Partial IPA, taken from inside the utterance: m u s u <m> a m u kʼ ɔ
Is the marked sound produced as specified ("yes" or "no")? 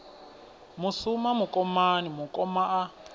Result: yes